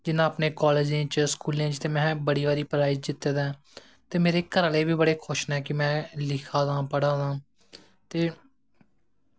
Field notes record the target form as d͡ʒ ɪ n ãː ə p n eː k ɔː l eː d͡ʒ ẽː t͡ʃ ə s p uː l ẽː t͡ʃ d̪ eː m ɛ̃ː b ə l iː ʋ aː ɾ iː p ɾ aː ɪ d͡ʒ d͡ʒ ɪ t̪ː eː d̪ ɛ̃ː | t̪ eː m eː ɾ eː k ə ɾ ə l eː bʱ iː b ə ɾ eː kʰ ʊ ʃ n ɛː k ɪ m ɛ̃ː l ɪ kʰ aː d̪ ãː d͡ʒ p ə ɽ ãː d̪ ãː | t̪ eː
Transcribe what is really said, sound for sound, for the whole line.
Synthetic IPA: d͡ʒ ɪ n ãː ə p n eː k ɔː l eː d͡ʒ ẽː t͡ʃ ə s k uː l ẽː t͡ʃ t̪ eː m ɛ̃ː b ə ɽ iː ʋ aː ɾ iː p ɾ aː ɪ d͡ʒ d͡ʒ ɪ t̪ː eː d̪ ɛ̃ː | t̪ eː m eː ɾ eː k ə ɾ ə l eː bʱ iː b ə ɽ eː kʰ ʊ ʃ n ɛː k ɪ m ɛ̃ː l ɪ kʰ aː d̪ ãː p ə ɽ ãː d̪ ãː | t̪ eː